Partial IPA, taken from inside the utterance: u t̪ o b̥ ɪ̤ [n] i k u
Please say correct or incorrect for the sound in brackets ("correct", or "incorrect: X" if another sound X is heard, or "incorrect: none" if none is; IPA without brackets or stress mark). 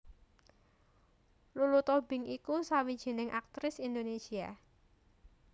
incorrect: ŋ